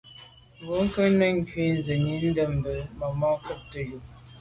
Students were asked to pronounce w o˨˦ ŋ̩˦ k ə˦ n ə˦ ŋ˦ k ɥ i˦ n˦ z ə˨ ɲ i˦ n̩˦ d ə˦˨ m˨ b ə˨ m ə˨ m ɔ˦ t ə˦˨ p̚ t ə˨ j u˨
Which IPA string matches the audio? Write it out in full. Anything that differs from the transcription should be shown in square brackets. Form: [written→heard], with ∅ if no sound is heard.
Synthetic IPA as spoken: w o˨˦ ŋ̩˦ k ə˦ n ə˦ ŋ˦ k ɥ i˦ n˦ z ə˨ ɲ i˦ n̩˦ d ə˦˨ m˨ b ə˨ m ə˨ m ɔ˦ [t→k] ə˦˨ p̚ t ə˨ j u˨